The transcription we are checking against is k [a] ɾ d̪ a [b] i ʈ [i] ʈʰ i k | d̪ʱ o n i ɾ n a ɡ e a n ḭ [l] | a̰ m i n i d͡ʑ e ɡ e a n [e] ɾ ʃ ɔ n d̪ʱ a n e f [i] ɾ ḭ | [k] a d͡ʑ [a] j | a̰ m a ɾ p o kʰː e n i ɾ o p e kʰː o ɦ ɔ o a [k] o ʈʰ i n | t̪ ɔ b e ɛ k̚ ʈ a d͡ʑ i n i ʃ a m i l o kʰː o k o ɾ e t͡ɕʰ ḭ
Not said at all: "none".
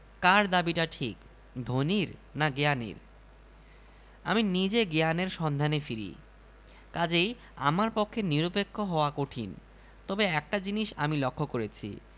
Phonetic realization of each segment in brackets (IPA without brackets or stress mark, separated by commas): a, b, a, ɾ, e, i, k, e, k